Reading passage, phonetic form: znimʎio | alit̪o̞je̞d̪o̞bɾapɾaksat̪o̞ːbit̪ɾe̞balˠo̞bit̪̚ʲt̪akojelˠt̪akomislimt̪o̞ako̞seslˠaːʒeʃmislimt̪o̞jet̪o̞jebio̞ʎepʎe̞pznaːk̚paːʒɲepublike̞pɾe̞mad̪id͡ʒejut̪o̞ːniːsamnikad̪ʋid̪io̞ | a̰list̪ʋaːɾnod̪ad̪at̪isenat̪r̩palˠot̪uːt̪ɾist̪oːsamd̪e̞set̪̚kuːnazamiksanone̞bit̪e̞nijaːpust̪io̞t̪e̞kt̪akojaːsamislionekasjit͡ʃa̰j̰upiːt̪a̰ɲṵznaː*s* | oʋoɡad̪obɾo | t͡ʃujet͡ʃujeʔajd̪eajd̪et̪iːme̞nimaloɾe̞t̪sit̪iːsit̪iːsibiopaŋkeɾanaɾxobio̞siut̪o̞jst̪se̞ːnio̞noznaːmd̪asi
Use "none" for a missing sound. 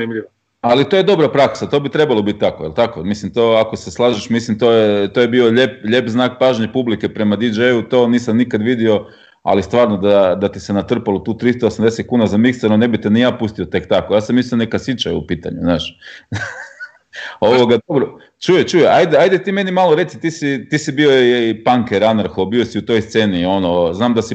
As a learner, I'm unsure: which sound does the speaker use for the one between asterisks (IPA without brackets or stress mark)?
ʃ